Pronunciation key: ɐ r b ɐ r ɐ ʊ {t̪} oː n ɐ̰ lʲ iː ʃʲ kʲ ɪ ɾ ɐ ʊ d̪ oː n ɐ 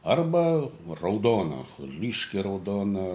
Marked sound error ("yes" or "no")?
yes